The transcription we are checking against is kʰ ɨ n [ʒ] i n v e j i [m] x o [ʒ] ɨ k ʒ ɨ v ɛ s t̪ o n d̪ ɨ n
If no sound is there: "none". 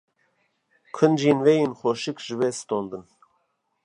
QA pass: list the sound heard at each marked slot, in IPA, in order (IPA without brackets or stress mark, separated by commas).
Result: d͡ʒ, n, ʃ